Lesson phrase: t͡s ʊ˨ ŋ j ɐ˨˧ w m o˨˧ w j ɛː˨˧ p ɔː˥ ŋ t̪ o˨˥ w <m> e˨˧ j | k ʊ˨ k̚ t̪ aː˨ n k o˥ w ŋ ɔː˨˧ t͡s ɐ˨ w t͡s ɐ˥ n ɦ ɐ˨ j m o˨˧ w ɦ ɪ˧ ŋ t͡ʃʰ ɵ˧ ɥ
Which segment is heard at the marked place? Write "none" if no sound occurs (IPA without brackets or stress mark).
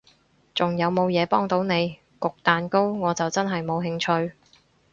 n